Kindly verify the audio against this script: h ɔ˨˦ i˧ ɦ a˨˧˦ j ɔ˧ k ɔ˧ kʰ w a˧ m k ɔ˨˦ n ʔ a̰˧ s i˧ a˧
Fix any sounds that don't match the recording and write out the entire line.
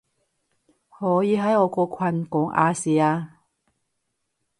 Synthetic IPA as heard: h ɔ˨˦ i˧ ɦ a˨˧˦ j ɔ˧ k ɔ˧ kʰ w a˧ n k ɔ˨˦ ŋ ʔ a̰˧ s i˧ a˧